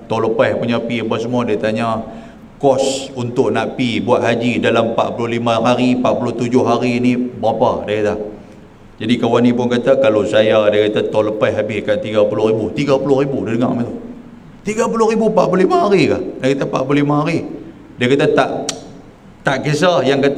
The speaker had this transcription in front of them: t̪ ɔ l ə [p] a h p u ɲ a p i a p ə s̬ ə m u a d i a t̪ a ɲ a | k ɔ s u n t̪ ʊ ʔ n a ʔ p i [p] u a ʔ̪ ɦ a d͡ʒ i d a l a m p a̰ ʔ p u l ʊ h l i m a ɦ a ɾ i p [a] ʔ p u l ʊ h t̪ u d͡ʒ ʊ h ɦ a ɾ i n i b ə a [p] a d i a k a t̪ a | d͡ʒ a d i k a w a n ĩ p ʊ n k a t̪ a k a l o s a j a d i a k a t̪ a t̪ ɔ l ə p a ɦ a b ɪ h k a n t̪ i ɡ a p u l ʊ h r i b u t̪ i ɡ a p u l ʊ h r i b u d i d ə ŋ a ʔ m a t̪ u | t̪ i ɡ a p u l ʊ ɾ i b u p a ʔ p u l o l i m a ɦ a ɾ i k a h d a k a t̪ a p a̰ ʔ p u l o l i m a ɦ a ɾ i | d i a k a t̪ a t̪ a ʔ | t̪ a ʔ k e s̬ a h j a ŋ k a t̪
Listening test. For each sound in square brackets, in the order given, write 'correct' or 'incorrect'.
correct, incorrect, correct, correct

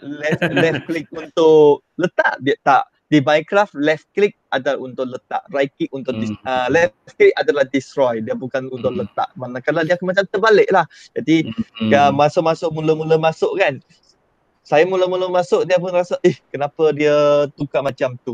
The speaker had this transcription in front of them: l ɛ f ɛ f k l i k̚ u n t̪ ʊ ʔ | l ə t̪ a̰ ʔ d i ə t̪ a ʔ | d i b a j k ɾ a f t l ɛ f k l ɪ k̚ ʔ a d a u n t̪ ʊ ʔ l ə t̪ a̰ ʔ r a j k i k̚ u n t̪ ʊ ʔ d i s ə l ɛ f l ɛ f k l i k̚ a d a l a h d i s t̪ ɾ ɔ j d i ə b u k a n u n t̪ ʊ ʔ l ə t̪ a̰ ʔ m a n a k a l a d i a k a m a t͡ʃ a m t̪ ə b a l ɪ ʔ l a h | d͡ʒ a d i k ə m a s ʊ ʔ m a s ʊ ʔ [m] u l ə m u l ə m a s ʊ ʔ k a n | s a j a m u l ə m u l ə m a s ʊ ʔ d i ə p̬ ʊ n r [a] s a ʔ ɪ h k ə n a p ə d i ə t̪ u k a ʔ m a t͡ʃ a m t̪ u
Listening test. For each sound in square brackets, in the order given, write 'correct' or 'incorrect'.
correct, correct

